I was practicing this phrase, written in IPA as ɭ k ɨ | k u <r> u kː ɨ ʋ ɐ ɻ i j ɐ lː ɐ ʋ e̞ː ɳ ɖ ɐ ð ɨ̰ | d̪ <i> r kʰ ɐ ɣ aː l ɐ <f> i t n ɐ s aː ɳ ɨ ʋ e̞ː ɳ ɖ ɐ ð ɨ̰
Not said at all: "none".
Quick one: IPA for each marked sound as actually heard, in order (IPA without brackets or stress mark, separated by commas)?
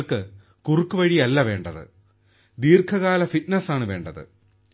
r, iː, f